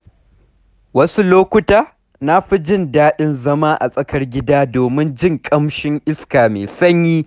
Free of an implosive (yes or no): no